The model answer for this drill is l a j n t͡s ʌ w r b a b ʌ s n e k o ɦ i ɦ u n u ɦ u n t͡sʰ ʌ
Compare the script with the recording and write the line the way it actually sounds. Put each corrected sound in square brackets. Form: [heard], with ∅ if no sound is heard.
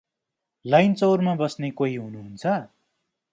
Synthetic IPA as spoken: l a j n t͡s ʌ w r [m] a b ʌ s n e k o ɦ i ɦ u n u ɦ u n t͡sʰ ʌ